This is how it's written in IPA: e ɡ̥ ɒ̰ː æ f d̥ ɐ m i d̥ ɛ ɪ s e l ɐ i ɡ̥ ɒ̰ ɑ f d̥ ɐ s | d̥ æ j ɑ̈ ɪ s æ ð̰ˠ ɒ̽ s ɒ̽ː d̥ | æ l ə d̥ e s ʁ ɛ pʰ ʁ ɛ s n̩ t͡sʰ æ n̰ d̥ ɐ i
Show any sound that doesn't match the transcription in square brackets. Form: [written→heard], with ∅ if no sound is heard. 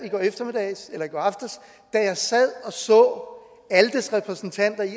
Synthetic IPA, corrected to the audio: [e→i] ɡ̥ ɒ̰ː [æ→e] f d̥ ɐ m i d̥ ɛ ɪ s e l ɐ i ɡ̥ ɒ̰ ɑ f d̥ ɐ s | d̥ æ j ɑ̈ ɪ s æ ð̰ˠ ɒ̽ s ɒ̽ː [d̥→∅] | æ l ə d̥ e s ʁ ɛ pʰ ʁ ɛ s n̩ t͡sʰ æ n̰ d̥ ɐ i

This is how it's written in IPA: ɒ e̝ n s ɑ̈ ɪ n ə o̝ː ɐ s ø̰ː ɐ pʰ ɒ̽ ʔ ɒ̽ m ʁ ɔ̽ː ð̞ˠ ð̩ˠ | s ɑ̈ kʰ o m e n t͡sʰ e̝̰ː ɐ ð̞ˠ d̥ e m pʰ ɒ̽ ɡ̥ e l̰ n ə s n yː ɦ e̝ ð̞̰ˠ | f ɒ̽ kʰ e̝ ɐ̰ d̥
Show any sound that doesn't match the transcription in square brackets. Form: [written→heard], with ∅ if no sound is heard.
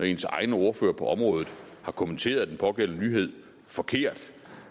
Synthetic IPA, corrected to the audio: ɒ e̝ n s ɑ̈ ɪ n ə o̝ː ɐ [s→f] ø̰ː ɐ pʰ ɒ̽ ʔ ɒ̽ m ʁ ɔ̽ː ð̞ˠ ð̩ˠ | [s→h] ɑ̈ kʰ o m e n t͡sʰ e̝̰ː ɐ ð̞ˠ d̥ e [m→n] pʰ ɒ̽ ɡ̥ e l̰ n ə [s→∅] n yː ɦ e̝ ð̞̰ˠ | f ɒ̽ kʰ e̝ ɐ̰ d̥

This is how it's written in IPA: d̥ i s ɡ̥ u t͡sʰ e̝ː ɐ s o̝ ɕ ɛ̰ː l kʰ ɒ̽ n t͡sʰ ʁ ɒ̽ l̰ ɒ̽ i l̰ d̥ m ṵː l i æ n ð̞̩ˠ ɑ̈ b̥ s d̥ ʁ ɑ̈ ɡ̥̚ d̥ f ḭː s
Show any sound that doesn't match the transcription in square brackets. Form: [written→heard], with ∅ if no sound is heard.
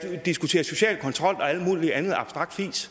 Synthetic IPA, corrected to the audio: d̥ i s ɡ̥ u t͡sʰ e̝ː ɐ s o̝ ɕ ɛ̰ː l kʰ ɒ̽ n t͡sʰ ʁ ɒ̽ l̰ ɒ̽ [i→æ] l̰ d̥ m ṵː l i æ n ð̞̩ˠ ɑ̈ b̥ s d̥ ʁ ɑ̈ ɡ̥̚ d̥ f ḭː s

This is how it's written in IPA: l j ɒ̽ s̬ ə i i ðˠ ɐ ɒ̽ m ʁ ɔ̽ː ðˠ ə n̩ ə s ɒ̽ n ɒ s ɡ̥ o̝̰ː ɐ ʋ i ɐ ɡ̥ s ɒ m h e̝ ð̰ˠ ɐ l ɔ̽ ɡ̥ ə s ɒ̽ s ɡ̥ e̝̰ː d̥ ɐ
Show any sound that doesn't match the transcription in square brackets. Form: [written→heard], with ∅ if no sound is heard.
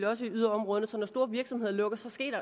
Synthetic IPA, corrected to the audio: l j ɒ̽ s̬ ə i [i→y] ðˠ ɐ ɒ̽ m ʁ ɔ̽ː ðˠ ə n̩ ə s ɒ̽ n ɒ s [ɡ̥→d̥] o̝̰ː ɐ ʋ i ɐ ɡ̥ s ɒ m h e̝ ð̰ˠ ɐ l ɔ̽ ɡ̥ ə s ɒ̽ s ɡ̥ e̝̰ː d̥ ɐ

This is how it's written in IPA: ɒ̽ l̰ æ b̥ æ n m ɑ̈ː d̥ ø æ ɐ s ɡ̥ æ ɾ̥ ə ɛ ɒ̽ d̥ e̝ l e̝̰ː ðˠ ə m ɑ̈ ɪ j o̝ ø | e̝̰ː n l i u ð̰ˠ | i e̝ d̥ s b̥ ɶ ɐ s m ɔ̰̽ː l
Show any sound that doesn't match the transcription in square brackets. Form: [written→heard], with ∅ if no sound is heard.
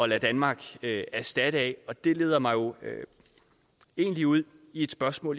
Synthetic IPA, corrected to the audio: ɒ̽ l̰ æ [b̥→d̥] æ n m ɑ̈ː [d̥→ɡ̥] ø æ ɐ s [ɡ̥→d̥] æ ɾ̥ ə ɛ ɒ̽ d̥ e̝ l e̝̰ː ðˠ [ə→ɐ] m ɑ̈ ɪ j o̝ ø | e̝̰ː n l i u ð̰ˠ | i e̝ d̥ s b̥ ɶ ɐ s m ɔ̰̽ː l

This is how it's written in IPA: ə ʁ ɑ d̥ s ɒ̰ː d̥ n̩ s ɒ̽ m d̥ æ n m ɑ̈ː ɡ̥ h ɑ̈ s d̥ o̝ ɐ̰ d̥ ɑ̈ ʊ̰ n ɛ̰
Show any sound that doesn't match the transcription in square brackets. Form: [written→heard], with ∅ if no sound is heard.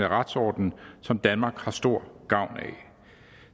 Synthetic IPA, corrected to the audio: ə ʁ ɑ d̥ s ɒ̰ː d̥ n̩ s ɒ̽ m d̥ æ n m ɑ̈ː ɡ̥ h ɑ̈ s d̥ o̝ ɐ̰ [d̥→ɡ̥] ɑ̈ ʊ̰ n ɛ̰

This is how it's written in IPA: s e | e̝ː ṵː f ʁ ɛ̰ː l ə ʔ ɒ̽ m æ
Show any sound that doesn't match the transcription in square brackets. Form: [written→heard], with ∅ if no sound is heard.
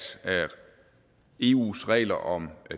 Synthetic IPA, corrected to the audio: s [e→æ] | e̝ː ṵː [f→s] ʁ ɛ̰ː l [ə→ɐ] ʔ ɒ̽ m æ

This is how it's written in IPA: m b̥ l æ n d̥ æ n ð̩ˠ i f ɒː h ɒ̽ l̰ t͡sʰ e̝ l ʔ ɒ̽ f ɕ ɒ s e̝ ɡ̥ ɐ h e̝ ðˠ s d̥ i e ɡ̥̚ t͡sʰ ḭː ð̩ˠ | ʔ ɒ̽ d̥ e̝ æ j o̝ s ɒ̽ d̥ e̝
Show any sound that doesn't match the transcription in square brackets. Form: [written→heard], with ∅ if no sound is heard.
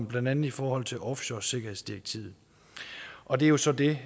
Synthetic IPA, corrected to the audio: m b̥ l æ n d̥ æ n ð̩ˠ i f ɒː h ɒ̽ l̰ t͡sʰ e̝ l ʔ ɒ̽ f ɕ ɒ s e̝ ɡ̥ ɐ h e̝ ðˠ s d̥ i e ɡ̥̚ t͡sʰ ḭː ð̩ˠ | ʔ ɒ̽ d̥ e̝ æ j o̝ s ɒ̽ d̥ e̝

